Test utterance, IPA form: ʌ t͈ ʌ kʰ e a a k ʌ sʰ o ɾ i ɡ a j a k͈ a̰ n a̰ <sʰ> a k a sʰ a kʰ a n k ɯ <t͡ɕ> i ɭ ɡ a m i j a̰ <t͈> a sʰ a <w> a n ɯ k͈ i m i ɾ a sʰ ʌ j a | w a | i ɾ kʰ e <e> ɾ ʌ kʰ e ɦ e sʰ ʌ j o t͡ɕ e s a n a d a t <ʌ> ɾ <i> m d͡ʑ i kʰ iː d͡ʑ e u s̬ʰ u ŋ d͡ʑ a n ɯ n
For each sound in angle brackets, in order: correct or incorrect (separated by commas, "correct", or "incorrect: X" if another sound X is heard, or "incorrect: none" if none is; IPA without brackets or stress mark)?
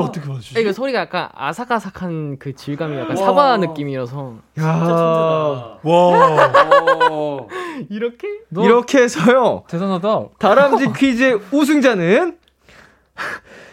correct, correct, incorrect: k͈, incorrect: b, incorrect: i, incorrect: a, incorrect: a